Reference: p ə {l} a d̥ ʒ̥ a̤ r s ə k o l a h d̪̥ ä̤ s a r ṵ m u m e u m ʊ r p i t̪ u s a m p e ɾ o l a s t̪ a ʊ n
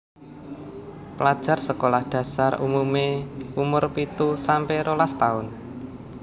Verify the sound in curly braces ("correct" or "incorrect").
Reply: correct